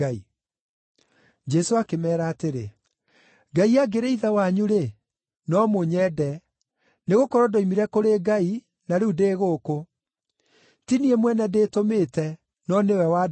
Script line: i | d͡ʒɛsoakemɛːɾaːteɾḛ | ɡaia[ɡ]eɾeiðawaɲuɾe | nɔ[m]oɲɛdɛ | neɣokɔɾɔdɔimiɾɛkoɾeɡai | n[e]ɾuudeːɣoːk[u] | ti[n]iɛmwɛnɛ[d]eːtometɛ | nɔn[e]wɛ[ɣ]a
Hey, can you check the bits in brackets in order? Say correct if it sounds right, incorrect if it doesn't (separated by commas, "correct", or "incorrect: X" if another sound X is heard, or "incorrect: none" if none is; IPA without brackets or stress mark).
correct, correct, incorrect: a, incorrect: o, correct, correct, correct, incorrect: w